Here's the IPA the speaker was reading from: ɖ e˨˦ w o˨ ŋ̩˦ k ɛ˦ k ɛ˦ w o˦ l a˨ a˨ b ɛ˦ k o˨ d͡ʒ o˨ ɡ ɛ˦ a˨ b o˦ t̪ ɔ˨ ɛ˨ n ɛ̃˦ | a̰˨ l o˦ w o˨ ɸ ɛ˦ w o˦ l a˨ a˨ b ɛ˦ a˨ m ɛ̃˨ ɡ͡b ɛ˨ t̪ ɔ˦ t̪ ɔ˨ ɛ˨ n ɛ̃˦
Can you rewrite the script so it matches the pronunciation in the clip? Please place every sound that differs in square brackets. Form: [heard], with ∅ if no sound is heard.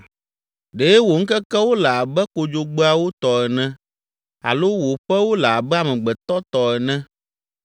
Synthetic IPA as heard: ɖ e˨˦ w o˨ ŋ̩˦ k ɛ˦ k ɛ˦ w o˦ l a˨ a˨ b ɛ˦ k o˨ d͡ʒ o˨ [ɡ͡b] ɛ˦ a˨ [w] o˦ t̪ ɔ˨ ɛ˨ n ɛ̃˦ | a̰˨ l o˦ w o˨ ɸ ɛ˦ w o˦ l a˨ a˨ b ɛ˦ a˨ m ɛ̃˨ ɡ͡b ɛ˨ t̪ ɔ˦ t̪ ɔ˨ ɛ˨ n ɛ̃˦

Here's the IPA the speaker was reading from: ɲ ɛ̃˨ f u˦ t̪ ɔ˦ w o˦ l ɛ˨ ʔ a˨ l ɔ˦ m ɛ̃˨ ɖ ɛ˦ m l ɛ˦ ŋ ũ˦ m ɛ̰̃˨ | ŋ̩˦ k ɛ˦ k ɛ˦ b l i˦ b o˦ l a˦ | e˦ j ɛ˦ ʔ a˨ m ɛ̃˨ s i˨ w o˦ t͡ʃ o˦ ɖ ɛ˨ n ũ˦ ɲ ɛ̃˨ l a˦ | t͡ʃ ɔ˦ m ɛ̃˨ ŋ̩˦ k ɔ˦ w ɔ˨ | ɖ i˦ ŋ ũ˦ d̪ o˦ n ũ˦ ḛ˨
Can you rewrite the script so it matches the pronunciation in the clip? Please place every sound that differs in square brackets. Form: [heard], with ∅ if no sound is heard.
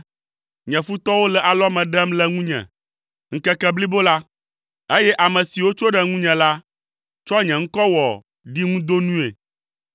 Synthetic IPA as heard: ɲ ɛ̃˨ f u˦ t̪ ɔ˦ w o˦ l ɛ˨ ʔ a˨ l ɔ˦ m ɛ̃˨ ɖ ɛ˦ m l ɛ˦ ŋ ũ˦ [ɲ] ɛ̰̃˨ | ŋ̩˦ k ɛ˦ k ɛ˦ b l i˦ b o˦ l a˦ | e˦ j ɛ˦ ʔ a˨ m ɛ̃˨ s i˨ w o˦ t͡ʃ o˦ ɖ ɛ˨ [ŋ] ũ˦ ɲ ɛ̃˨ l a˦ | t͡ʃ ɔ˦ [ɲ] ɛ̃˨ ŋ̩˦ k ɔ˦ w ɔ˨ | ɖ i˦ ŋ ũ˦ d̪ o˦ n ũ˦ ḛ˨

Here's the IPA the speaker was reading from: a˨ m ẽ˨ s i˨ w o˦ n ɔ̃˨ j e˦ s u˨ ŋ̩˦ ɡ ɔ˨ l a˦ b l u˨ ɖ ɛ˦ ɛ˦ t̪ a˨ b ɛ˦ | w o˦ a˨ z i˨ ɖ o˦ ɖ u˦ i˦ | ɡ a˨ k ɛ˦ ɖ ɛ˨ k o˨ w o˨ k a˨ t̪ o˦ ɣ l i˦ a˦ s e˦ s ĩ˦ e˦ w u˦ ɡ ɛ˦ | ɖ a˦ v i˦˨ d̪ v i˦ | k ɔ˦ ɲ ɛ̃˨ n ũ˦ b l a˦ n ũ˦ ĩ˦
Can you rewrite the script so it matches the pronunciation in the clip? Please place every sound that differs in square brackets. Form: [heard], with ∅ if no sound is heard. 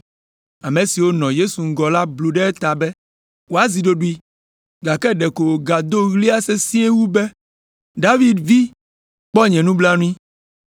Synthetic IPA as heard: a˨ m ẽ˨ s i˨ w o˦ n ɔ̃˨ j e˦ s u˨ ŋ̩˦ ɡ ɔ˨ l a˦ b l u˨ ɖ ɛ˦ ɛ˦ t̪ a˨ b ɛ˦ | w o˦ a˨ z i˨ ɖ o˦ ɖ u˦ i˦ | ɡ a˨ k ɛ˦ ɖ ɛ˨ k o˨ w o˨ [ɡ] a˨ [d̪] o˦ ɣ l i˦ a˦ s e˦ s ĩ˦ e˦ w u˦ [b] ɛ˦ | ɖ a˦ v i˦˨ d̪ v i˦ | [k͡p] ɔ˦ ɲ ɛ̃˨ n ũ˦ b l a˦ n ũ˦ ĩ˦

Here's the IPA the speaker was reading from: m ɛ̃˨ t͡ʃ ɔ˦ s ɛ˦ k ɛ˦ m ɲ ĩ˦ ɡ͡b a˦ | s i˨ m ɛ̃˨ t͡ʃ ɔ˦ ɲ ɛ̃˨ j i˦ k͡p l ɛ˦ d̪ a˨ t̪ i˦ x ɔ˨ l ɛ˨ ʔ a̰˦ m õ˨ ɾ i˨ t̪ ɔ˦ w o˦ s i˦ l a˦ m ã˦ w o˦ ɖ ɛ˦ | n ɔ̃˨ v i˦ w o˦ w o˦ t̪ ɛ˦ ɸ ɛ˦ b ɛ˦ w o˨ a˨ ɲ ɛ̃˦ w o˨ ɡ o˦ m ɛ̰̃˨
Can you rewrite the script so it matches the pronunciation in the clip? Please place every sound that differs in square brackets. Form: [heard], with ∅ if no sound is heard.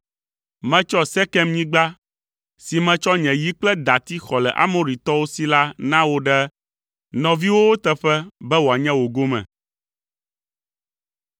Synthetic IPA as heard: m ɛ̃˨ t͡ʃ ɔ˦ s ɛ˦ k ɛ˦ m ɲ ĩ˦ ɡ͡b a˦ | s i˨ m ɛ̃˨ t͡ʃ ɔ˦ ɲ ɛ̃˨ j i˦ k͡p l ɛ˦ d̪ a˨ t̪ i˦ x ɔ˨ l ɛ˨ ʔ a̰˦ m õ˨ ɾ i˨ t̪ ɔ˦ w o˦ s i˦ l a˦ [n] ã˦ w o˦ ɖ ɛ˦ | n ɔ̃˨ v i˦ w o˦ w o˦ t̪ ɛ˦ ɸ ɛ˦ b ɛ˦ w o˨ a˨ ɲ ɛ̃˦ w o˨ ɡ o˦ m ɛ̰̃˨

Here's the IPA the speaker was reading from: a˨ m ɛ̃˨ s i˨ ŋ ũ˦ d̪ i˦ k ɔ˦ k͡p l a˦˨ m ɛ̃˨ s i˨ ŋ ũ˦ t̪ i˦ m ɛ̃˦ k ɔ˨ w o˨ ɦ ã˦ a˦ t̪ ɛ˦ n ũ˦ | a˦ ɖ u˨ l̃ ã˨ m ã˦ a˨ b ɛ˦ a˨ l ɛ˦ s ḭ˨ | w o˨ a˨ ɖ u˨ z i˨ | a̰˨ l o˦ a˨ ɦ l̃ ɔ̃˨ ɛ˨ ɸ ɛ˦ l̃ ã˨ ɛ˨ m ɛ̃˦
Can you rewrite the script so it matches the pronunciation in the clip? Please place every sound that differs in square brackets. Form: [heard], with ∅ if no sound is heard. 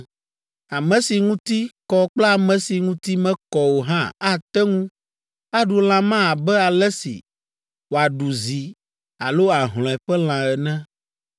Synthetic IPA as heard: a˨ m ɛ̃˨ s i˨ ŋ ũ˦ [t̪] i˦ k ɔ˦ k͡p l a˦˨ m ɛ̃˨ s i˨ ŋ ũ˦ t̪ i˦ m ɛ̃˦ k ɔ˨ w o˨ ɦ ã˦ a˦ t̪ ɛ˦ [ŋ] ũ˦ | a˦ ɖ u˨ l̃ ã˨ m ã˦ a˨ b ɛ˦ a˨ l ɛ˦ s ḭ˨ | w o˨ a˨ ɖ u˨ z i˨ | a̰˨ l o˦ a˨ ɦ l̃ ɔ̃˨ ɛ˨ ɸ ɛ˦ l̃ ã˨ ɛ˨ [n] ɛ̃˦

